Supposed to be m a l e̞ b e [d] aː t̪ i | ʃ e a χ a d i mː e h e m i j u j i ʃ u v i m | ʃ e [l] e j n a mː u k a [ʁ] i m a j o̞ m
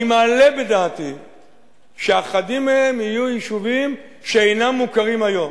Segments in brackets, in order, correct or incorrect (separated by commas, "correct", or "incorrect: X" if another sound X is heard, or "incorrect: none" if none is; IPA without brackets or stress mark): correct, incorrect: none, correct